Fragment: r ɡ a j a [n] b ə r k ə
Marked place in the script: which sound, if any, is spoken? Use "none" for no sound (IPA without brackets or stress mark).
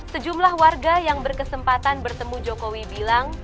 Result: ŋ